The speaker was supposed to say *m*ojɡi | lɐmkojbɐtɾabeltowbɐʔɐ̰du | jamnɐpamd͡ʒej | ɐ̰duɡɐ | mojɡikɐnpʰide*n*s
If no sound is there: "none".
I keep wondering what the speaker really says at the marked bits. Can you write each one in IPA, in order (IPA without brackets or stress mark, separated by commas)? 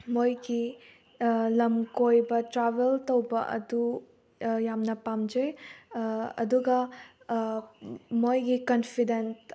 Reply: m, n